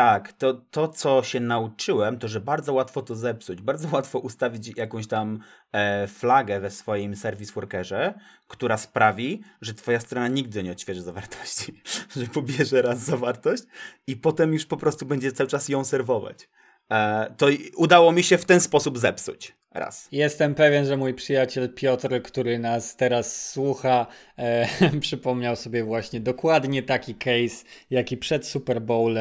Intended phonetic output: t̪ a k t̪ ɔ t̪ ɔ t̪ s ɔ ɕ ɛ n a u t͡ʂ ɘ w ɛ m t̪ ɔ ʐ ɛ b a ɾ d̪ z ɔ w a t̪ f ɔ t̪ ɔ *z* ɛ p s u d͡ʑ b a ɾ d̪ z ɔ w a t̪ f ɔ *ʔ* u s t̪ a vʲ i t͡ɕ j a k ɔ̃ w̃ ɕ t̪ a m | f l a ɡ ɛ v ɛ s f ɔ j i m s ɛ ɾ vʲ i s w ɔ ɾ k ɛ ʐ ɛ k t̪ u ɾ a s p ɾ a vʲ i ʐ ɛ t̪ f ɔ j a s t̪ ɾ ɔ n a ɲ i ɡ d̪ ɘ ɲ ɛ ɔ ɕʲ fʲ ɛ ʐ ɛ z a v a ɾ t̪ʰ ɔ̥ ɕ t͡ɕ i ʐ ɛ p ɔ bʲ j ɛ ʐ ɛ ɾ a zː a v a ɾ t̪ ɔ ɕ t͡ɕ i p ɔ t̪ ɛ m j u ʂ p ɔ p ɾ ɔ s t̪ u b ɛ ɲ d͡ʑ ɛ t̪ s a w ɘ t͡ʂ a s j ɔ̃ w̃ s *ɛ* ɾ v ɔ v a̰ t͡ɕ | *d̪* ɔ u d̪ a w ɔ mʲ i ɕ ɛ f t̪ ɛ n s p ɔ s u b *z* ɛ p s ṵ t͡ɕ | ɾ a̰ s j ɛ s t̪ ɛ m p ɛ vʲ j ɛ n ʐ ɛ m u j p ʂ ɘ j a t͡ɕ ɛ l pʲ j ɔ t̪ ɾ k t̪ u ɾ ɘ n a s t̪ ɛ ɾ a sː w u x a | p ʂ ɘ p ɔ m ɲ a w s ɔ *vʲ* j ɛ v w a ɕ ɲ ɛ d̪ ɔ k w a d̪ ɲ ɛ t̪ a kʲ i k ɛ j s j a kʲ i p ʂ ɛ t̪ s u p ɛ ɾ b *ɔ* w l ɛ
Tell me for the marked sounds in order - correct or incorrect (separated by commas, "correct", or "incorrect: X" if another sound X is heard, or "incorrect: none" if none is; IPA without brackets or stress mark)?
correct, correct, correct, incorrect: t̪, correct, incorrect: bʲ, correct